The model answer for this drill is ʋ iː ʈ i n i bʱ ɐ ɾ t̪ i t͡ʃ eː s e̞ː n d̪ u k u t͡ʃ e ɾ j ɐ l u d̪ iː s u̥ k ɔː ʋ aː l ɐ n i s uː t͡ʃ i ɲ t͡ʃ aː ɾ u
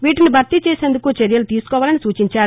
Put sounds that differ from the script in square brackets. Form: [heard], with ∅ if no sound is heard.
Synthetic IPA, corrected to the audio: ʋ iː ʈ i n i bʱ ɐ ɾ t̪ i t͡ʃ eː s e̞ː n d̪ u k u t͡ʃ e ɾ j ɐ l u [t̪] iː s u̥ k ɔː ʋ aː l ɐ n i s uː t͡ʃ i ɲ t͡ʃ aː ɾ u

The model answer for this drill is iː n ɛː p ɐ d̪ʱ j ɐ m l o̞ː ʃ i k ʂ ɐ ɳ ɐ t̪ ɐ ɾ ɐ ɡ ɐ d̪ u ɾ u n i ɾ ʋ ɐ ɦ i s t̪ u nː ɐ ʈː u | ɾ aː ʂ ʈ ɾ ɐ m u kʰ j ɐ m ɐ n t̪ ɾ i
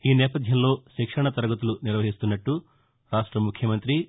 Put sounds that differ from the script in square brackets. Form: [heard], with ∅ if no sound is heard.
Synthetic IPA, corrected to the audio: iː n ɛː p ɐ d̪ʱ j ɐ m l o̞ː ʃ i k ʂ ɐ ɳ ɐ t̪ ɐ ɾ ɐ ɡ ɐ [t̪] u [l] u n i ɾ ʋ ɐ ɦ i s t̪ u nː ɐ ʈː u | ɾ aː ʂ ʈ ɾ ɐ m u kʰ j ɐ m ɐ n t̪ ɾ i

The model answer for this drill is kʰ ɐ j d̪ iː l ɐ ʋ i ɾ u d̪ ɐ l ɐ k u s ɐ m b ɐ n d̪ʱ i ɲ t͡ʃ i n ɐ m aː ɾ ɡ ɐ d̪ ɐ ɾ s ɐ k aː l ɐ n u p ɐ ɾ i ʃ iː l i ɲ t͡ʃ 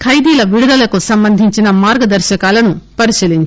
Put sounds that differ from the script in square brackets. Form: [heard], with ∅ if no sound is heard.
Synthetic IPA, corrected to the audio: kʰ ɐ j d̪ iː l ɐ ʋ i [ɽ] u d̪ ɐ l ɐ k u s ɐ m b ɐ n d̪ʱ i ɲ t͡ʃ i n ɐ m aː ɾ ɡ ɐ d̪ ɐ ɾ [ʃ] ɐ k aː l ɐ n u p ɐ ɾ i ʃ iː l i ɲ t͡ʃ

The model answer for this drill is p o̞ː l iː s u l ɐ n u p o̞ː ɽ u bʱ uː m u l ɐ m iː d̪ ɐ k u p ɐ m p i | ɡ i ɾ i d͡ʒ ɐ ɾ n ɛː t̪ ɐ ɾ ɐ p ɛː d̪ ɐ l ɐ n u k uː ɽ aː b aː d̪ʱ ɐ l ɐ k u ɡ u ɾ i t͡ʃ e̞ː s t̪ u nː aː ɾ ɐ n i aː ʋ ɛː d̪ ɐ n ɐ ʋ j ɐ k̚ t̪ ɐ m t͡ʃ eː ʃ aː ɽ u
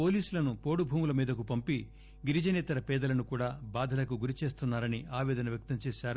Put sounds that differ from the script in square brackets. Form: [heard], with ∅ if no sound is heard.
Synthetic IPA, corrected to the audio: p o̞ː l iː s u l ɐ n u p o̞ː ɽ u bʱ uː m u l ɐ m iː d̪ ɐ k u p ɐ m p i | ɡ i ɾ i d͡ʒ ɐ [∅] n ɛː t̪ ɐ ɾ ɐ p ɛː d̪ ɐ l ɐ n u k uː ɽ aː b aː d̪ʱ ɐ l ɐ k u ɡ u ɾ i t͡ʃ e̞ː s t̪ u nː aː ɾ ɐ n i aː ʋ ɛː d̪ ɐ n ɐ ʋ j ɐ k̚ t̪ ɐ m t͡ʃ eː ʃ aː [ɾ] u

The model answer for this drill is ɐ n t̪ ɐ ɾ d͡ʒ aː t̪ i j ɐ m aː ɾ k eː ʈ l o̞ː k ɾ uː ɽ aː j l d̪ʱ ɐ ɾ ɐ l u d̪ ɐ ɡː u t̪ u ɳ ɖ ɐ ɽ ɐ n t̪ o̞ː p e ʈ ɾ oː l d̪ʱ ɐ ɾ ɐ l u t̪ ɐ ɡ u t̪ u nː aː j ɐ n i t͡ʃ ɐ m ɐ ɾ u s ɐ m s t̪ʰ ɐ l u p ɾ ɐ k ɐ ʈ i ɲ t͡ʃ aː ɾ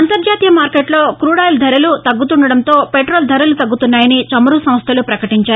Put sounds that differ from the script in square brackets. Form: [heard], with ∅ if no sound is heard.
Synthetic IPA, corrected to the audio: ɐ n t̪ ɐ ɾ d͡ʒ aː t̪ i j ɐ m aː ɾ k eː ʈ l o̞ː k ɾ uː ɽ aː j l d̪ʱ ɐ ɾ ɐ l u [t̪] ɐ ɡː u t̪ u ɳ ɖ ɐ ɽ ɐ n t̪ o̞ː p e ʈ ɾ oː l d̪ʱ ɐ ɾ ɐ l u t̪ ɐ [ɡː] u t̪ u nː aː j ɐ n i t͡ʃ ɐ m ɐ ɾ u s ɐ m s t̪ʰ ɐ l u p ɾ ɐ k ɐ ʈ i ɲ t͡ʃ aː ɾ

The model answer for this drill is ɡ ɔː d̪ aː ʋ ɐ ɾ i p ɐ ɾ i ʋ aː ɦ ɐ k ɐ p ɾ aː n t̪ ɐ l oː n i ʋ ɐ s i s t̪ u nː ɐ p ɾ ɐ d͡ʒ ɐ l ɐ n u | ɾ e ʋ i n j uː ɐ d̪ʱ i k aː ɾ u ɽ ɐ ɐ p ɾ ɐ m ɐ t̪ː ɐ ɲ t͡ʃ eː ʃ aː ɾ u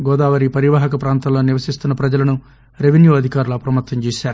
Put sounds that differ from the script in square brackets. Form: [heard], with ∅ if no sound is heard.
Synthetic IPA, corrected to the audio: ɡ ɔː d̪ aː ʋ ɐ ɾ i p ɐ ɾ i ʋ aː ɦ ɐ k ɐ p ɾ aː n t̪ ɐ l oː n i ʋ ɐ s i s t̪ u nː ɐ p ɾ ɐ d͡ʒ ɐ l ɐ n u | ɾ e ʋ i n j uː ɐ d̪ʱ i k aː ɾ u [l] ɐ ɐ p ɾ ɐ m ɐ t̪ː ɐ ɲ t͡ʃ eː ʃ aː ɾ u

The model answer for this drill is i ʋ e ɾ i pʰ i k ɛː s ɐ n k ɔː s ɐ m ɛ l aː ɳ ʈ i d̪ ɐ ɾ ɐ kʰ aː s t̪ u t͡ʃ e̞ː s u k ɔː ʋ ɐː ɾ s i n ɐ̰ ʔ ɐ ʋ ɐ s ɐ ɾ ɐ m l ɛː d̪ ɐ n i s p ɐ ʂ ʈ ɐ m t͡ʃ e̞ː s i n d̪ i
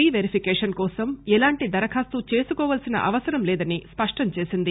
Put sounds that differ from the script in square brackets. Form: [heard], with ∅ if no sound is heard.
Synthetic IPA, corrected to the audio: i ʋ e ɾ i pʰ i k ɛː [ʂ] ɐ n k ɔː s ɐ m ɛ l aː ɳ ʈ i d̪ ɐ ɾ ɐ kʰ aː s t̪ u t͡ʃ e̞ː s u k ɔː ʋ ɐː [l] s i n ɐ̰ ʔ ɐ ʋ ɐ s ɐ ɾ ɐ m l ɛː d̪ ɐ n i s p ɐ ʂ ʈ ɐ m t͡ʃ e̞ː s i n d̪ i

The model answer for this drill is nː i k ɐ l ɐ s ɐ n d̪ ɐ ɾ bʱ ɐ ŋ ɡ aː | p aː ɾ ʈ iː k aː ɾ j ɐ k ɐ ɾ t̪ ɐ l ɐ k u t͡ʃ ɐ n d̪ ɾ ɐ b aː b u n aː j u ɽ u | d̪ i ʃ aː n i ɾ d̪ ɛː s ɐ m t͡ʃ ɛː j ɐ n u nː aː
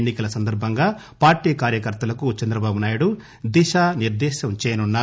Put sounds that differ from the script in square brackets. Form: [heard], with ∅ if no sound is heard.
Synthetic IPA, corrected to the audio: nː i k ɐ l ɐ s ɐ n d̪ ɐ ɾ bʱ ɐ ŋ ɡ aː | p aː ɾ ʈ iː k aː ɾ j ɐ k ɐ ɾ t̪ ɐ l ɐ k u t͡ʃ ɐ n d̪ ɾ ɐ b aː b u n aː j u ɽ u | d̪ i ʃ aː n i ɾ d̪ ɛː [ʃ] ɐ m t͡ʃ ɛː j ɐ n u nː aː

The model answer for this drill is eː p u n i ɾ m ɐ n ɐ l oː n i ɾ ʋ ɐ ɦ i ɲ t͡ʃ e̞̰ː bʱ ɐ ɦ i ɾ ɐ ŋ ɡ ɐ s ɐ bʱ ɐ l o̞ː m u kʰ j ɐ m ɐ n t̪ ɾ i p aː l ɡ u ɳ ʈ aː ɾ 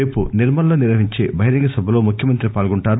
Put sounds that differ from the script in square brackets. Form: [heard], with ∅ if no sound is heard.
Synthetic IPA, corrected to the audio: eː p u n i ɾ m ɐ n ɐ l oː n i ɾ ʋ ɐ ɦ i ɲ t͡ʃ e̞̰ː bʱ ɐ ɦ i ɾ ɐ ŋ ɡ ɐ s ɐ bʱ ɐ l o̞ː m u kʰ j ɐ m ɐ n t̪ ɾ i p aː l ɡ u ɳ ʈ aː ɾ

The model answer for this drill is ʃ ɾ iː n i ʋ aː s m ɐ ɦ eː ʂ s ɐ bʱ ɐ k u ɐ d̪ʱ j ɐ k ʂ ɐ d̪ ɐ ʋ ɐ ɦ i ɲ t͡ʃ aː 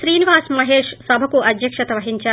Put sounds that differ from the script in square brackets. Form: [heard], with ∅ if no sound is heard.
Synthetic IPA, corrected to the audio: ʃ ɾ iː n i ʋ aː s m ɐ ɦ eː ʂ s ɐ bʱ ɐ k u ɐ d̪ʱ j ɐ k ʂ ɐ [t̪] ɐ ʋ ɐ ɦ i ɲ t͡ʃ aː

